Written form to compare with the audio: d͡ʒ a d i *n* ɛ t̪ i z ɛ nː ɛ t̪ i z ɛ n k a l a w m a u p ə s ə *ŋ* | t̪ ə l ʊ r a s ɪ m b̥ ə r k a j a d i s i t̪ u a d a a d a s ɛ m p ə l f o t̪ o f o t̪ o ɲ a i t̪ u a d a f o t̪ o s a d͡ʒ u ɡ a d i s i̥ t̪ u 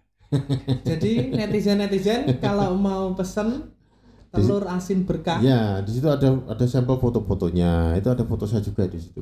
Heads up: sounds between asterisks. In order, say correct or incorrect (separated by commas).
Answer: correct, incorrect